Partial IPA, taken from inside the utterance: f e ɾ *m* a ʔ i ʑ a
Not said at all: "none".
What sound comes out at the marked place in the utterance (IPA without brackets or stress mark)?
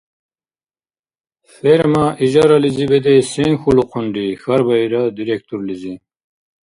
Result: m